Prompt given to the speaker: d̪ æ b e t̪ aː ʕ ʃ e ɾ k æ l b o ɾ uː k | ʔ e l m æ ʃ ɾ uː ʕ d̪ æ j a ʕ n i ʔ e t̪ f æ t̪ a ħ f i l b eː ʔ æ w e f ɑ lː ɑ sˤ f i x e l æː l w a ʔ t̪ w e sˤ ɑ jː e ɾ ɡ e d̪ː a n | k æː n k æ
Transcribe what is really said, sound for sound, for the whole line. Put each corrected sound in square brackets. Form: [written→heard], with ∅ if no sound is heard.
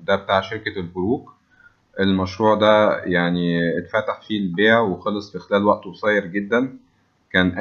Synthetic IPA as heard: d̪ æ b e t̪ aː ʕ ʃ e ɾ k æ l b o ɾ uː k | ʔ e l m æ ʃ ɾ uː ʕ d̪ æ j a ʕ n i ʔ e t̪ f æ t̪ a ħ f i l b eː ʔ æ w e [f→x] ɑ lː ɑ sˤ f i x e l æː l w [a→æ] ʔ t̪ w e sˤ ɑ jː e ɾ ɡ e d̪ː [a→æ] n | k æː n [k→ʔ] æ